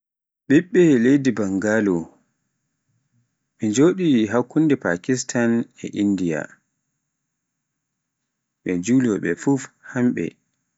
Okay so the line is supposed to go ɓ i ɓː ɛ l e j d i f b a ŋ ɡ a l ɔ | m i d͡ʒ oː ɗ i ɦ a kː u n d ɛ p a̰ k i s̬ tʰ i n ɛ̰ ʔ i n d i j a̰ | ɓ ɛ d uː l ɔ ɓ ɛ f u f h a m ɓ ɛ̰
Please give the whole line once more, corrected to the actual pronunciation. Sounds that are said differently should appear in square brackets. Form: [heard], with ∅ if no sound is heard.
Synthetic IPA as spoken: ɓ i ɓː ɛ l e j d i [∅] b a ŋ ɡ a l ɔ | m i d͡ʒ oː ɗ i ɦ a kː u n d ɛ p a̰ k i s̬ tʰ [a] n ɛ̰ ʔ i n d i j a̰ | ɓ ɛ [d͡ʒ] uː l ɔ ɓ ɛ f u f h a m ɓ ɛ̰